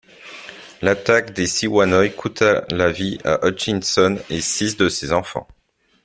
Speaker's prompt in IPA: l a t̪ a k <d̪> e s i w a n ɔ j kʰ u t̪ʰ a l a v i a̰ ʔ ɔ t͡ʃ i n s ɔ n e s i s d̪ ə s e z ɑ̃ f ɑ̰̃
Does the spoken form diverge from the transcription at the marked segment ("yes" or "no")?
no